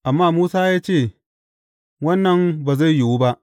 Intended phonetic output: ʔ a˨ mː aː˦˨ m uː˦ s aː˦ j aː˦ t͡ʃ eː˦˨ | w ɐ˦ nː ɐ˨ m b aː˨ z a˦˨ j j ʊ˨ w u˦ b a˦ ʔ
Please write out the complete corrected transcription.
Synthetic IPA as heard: ʔ a˨ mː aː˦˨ m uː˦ s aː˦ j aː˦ t͡ʃ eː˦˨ | w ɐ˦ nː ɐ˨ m b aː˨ z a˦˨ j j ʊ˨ w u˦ b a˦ ʔ